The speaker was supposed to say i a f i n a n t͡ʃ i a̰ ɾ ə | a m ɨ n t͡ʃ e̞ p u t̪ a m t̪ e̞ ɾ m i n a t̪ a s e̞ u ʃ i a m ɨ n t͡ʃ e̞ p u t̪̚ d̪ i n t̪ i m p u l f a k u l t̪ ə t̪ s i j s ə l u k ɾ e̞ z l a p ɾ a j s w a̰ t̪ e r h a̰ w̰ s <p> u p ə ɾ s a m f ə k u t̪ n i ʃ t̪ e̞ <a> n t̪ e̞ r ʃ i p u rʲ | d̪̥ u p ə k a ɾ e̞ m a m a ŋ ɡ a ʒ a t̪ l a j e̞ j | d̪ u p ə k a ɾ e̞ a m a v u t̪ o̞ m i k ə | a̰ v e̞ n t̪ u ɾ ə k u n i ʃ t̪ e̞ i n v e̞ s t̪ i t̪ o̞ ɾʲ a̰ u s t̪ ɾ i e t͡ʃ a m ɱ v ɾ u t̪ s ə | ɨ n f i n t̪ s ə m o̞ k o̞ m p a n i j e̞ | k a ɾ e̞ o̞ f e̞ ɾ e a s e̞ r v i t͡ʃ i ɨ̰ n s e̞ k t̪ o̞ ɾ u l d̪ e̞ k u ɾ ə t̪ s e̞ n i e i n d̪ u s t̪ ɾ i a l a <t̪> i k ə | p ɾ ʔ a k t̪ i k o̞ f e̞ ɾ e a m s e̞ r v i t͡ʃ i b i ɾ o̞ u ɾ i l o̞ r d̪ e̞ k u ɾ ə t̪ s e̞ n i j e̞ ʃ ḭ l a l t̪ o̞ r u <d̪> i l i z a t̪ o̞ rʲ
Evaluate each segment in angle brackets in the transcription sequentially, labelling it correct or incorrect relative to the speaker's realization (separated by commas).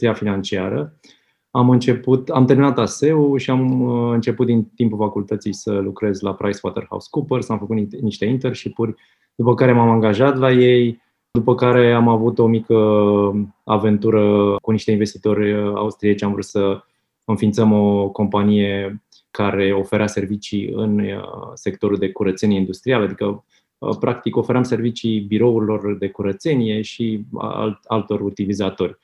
incorrect, incorrect, incorrect, incorrect